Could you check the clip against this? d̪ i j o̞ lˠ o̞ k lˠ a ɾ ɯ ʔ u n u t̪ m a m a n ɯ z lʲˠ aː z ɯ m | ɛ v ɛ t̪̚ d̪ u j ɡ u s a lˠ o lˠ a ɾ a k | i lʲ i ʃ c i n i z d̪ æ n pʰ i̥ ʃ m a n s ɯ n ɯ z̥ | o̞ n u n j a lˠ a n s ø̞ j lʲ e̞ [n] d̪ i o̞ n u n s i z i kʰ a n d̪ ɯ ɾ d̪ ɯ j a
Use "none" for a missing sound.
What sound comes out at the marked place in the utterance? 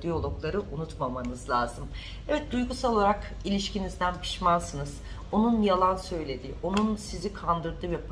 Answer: none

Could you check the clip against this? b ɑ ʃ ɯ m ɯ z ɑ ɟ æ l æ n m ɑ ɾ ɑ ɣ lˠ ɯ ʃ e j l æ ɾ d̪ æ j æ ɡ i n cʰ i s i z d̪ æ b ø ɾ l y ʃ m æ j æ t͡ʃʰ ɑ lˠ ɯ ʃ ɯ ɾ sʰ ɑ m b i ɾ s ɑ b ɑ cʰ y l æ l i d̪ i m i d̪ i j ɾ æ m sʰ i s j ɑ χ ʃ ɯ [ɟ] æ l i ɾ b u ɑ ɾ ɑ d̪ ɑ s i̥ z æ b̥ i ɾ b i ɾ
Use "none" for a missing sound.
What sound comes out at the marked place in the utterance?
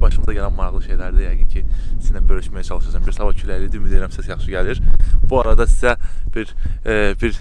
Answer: ɟ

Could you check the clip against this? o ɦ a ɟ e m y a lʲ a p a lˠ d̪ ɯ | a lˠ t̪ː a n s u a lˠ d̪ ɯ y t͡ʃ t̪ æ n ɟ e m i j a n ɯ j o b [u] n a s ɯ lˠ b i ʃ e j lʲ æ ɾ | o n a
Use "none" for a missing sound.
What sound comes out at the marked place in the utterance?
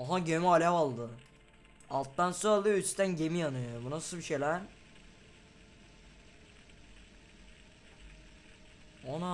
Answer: u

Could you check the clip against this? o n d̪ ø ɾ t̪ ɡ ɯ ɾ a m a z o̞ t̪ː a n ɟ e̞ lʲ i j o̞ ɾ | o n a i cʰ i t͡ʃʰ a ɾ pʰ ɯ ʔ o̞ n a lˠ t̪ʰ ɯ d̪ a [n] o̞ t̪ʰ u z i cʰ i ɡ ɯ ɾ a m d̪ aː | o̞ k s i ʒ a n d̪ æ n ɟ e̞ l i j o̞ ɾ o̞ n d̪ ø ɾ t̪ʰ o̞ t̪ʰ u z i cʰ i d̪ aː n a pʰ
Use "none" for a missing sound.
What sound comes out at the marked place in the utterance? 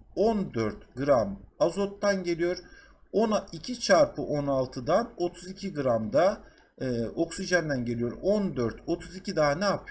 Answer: n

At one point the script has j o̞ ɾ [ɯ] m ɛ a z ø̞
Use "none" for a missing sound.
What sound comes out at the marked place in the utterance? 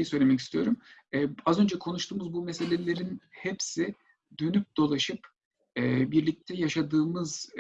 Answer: u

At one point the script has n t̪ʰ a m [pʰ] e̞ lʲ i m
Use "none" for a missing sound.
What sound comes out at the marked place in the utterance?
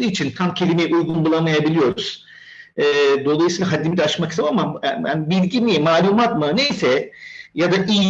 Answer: cʰ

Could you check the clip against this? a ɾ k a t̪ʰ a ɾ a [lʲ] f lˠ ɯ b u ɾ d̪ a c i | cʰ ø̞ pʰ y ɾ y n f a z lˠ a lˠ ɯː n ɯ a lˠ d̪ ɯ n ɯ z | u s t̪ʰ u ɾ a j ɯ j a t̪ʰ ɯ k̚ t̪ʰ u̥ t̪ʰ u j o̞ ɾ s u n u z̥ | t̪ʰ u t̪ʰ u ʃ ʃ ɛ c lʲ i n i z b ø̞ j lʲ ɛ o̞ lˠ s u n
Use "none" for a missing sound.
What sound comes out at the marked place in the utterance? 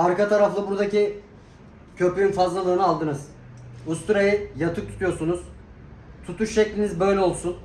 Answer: none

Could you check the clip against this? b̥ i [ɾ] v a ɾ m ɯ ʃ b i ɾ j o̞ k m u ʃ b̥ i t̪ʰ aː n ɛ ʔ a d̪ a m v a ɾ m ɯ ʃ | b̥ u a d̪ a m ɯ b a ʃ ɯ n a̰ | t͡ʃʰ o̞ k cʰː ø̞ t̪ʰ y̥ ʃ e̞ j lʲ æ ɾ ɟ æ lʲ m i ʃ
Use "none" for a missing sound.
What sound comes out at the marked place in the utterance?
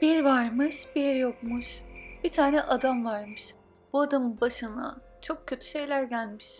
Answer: ɾ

